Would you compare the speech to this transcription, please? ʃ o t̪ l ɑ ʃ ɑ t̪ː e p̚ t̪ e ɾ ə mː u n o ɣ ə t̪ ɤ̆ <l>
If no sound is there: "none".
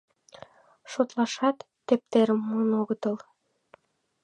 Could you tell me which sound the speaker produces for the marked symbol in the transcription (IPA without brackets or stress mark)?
l